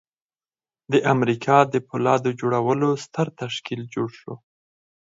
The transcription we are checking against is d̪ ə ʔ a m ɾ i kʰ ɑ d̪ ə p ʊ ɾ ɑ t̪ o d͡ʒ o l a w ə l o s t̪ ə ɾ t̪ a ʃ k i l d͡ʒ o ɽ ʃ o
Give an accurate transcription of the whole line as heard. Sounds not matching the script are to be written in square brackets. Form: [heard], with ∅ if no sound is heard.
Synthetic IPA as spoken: d̪ ə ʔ a m ɾ i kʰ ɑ d̪ ə p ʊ [l] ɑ [d̪] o d͡ʒ o [ɽ] a w ə l o s t̪ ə ɾ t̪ a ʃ k i l d͡ʒ o ɽ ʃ o

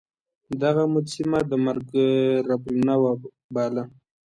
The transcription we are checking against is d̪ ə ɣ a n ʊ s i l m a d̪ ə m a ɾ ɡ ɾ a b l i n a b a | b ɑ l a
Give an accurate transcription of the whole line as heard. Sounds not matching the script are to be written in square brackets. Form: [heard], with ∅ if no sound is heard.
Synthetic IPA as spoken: d̪ [a] ɣ a [m] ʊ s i [∅] m a d̪ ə m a ɾ ɡ ɾ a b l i n a [w] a | b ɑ l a

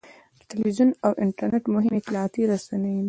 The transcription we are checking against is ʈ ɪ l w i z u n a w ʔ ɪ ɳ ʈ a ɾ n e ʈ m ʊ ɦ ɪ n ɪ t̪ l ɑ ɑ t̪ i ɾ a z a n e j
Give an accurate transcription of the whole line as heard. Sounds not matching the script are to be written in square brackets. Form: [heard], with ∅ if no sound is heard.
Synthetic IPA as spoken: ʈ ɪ l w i z u n a w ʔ ɪ ɳ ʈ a ɾ n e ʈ m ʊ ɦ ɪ [m] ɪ t̪ l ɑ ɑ t̪ i ɾ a [s] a n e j

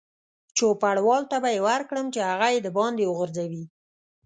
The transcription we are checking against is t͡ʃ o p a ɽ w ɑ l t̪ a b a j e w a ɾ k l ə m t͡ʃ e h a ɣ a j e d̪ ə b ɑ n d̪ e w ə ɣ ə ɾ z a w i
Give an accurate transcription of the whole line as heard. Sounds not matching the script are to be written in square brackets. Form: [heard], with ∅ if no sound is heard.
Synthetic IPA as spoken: t͡ʃ o p a ɽ w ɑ l t̪ a b a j e w a ɾ k [ɽ] ə m t͡ʃ e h a ɣ a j e d̪ ə b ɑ n d̪ e w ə ɣ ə ɾ z a w i

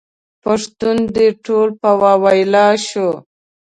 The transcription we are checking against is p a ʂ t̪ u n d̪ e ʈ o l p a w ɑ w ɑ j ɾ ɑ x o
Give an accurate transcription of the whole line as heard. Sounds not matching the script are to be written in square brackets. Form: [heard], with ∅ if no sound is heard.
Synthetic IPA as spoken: p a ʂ t̪ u n d̪ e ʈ o l p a w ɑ w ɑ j [l] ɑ [ʃ] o

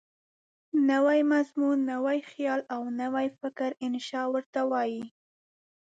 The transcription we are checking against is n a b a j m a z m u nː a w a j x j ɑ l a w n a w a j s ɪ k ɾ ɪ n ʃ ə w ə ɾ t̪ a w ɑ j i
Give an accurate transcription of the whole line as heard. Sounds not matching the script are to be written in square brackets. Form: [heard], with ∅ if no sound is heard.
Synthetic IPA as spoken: n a [w] a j m a z m u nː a w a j x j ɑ l a w n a w a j [f] ɪ k ɾ ɪ n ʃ [ɑ] w ə ɾ t̪ a w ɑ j i

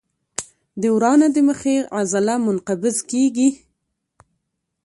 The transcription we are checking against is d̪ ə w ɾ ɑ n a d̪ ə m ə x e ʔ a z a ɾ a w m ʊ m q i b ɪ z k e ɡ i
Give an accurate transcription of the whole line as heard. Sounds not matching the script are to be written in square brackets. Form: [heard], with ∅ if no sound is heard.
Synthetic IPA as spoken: d̪ ə w ɾ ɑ n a d̪ ə m ə x e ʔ a z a [l] a [∅] m ʊ [n] q [a] b ɪ z k e ɡ i

